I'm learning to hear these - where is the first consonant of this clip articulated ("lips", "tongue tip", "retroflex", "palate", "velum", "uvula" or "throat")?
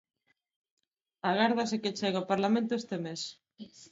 velum